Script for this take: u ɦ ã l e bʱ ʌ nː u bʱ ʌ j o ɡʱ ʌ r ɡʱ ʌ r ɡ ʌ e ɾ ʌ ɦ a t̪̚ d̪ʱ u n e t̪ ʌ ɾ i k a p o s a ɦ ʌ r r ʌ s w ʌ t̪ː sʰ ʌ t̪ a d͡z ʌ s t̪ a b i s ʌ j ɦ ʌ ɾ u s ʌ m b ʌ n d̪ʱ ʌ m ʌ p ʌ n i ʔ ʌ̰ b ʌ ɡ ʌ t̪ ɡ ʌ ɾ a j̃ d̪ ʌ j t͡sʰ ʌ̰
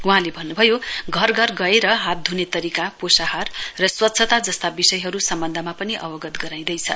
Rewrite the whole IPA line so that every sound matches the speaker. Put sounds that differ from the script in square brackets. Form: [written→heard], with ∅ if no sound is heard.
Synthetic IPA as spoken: u ɦ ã l e bʱ ʌ nː u bʱ ʌ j o ɡʱ ʌ r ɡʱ ʌ r ɡ ʌ e ɾ ʌ ɦ a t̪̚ d̪ʱ u n e t̪ ʌ ɾ i k a p o s a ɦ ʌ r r ʌ s w ʌ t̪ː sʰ ʌ t̪ a d͡z ʌ s t̪ a b i s ʌ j ɦ ʌ ɾ u s ʌ m b ʌ n d̪ʱ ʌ m [ʌ→a] p ʌ n i ʔ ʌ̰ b ʌ ɡ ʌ t̪ ɡ ʌ ɾ a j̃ d̪ ʌ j t͡sʰ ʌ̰